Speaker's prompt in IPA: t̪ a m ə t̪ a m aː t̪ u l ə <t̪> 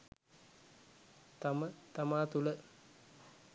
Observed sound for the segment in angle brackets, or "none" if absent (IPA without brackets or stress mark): none